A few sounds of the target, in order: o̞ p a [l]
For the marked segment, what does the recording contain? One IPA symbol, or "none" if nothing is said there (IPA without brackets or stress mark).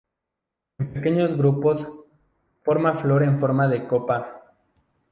none